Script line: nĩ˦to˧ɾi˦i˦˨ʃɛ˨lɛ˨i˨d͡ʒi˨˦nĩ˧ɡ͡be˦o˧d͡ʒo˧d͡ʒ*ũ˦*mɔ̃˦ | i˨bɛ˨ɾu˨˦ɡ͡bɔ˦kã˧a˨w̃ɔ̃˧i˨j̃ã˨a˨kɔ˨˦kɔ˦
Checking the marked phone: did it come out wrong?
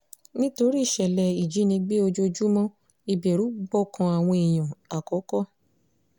yes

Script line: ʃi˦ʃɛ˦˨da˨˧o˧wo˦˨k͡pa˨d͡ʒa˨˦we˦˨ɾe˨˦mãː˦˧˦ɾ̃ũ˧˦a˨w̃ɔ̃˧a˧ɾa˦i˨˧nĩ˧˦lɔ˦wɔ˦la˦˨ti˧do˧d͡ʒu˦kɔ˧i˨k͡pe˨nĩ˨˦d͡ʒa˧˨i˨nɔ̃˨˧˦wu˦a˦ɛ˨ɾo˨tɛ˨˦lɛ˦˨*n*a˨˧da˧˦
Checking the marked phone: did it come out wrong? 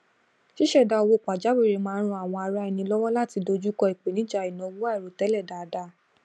yes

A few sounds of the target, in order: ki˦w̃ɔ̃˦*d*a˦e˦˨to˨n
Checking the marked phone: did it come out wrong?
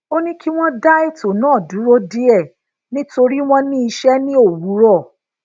no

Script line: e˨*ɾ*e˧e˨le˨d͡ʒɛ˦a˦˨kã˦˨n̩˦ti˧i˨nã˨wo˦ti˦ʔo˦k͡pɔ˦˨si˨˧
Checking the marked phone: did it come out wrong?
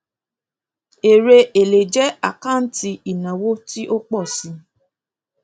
no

